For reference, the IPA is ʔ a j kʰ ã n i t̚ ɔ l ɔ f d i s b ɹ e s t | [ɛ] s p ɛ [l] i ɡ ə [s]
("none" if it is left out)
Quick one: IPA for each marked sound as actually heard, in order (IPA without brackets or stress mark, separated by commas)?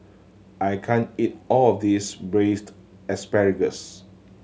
ɛ, ɹ, s